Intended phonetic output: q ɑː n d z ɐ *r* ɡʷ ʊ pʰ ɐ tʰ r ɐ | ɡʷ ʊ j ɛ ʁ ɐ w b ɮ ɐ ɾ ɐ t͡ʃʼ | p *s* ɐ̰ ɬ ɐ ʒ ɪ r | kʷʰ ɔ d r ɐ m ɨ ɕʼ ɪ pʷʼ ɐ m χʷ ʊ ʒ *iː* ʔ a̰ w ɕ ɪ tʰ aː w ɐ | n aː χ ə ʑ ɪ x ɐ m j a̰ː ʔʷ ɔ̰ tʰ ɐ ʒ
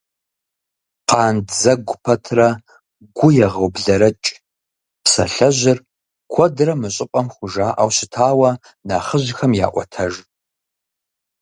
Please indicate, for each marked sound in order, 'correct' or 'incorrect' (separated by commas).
incorrect, correct, incorrect